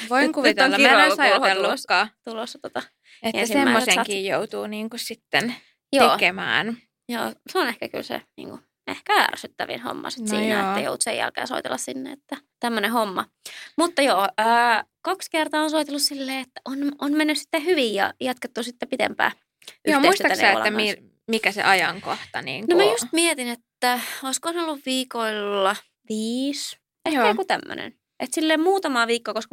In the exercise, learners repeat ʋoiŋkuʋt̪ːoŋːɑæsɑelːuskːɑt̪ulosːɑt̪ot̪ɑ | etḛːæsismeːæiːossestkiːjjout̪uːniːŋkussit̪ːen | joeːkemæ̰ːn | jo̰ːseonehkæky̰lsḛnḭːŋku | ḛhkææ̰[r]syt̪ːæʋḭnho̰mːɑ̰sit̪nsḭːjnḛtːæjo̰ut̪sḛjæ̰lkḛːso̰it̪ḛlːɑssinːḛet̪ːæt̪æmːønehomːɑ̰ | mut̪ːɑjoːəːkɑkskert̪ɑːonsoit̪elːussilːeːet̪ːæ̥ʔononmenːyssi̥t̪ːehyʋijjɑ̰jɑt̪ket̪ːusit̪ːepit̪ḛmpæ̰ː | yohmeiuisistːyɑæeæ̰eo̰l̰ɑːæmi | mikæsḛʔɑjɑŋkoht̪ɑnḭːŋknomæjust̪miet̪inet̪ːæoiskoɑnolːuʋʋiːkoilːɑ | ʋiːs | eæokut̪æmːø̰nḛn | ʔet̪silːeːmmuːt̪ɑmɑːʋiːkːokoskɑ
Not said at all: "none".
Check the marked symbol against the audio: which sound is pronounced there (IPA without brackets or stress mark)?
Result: r